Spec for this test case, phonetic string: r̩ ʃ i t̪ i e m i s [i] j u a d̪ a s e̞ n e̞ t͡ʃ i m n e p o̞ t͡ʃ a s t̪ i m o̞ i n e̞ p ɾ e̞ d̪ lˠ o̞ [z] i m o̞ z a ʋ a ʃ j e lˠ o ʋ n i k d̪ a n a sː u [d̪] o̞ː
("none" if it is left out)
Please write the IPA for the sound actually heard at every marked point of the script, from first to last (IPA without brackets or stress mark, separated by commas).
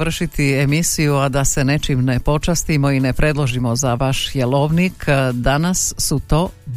i, ʒ, t̪